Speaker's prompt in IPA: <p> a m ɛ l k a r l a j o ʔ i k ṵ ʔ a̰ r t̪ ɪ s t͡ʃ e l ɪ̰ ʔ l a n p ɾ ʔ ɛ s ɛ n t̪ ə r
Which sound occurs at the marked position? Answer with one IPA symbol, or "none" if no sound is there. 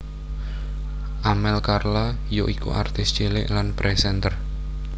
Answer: ʔ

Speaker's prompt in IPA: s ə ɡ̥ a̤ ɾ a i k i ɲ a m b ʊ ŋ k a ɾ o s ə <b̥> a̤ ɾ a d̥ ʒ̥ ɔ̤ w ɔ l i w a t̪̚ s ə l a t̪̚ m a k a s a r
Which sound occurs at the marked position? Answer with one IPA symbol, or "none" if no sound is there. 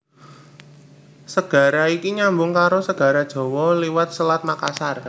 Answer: ɡ̥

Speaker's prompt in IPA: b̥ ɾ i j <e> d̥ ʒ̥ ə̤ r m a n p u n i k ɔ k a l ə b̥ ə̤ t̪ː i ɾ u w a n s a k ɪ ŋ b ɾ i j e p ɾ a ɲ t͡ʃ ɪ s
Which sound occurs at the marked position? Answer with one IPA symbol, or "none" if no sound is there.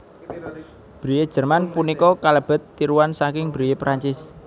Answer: e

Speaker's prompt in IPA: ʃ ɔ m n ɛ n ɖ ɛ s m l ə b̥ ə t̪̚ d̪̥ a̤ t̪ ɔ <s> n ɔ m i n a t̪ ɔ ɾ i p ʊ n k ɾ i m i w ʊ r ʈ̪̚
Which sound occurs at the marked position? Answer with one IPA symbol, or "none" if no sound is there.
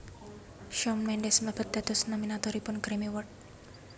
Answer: s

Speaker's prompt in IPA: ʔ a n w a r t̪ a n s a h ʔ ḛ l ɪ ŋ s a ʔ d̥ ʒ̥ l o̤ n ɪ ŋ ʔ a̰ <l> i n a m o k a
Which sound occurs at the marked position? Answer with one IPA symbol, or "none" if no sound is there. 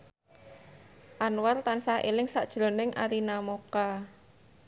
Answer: ɾ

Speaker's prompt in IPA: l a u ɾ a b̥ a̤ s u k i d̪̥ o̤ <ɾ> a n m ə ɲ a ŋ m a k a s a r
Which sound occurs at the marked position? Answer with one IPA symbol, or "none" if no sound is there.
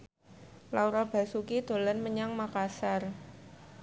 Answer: l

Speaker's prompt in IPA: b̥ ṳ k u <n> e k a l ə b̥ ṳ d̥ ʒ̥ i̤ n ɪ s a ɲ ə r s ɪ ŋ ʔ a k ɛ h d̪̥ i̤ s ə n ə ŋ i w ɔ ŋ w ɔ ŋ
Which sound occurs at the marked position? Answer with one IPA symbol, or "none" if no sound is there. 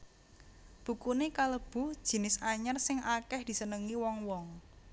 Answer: n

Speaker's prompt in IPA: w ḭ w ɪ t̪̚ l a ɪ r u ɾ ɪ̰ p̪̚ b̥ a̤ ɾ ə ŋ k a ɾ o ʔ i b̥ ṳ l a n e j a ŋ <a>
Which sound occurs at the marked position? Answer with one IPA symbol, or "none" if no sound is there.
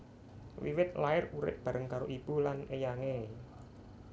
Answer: e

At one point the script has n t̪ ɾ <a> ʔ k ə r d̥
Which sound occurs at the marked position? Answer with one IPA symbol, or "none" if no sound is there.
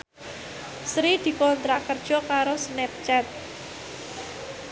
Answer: a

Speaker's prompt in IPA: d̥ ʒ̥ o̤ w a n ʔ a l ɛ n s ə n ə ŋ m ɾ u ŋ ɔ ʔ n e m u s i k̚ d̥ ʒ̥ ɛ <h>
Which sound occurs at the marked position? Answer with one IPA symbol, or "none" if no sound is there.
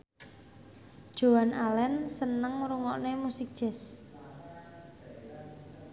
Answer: s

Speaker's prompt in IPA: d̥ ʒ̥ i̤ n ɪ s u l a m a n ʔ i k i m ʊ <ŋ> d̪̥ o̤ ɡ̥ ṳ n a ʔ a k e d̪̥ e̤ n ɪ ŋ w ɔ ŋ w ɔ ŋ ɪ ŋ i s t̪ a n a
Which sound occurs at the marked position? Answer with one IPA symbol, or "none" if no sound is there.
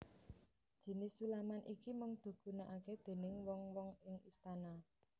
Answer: ŋ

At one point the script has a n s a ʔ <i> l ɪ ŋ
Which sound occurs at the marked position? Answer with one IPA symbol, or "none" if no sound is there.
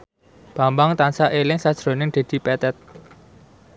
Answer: e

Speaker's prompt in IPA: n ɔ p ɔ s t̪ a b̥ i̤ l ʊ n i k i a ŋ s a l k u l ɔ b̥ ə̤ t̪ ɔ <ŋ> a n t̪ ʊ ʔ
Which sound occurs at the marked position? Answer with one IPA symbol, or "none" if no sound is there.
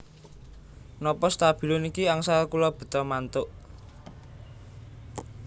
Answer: m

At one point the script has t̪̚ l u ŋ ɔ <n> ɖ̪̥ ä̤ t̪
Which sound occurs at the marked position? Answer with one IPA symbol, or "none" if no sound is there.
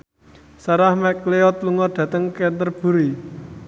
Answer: none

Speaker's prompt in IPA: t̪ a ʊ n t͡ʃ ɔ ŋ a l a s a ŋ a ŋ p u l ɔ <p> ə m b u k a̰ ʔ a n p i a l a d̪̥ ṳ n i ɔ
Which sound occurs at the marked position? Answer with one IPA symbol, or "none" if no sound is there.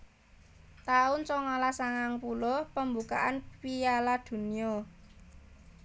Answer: p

